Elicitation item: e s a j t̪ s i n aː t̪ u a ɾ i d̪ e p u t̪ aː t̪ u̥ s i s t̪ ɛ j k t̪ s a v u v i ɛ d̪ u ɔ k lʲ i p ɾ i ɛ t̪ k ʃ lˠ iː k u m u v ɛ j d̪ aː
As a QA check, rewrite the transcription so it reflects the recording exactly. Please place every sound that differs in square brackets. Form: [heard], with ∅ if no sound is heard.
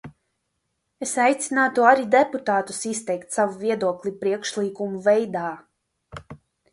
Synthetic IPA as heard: e s a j t̪ s i n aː t̪ u a ɾ i d̪ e p u t̪ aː t̪ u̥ s i s t̪ ɛ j k t̪ s a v u v i ɛ d̪ u ɔ k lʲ i p ɾ i ɛ [∅] k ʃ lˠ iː k u m u v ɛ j d̪ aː